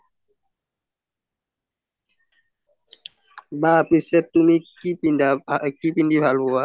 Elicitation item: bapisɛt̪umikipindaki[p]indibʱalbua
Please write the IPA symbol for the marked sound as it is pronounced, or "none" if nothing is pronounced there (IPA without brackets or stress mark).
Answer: p